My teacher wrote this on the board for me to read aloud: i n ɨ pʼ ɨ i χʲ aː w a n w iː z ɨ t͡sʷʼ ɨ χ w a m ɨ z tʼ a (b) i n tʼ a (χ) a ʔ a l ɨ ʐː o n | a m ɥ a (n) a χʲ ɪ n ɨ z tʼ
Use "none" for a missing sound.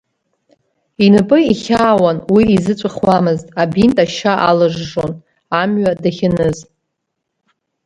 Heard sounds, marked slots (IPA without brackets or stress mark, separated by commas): b, ʃ, d